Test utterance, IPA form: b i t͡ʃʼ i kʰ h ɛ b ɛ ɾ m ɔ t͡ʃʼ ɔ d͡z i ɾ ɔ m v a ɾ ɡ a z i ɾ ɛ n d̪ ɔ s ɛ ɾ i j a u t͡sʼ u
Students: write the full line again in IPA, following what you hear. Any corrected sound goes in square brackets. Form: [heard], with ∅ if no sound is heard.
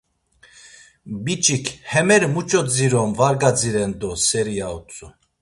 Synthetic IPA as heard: b i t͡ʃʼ i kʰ h ɛ [m] ɛ ɾ m [u] t͡ʃʼ ɔ d͡z i ɾ ɔ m v a ɾ ɡ a [d͡z] i ɾ ɛ n d̪ ɔ s ɛ ɾ i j a u t͡sʼ u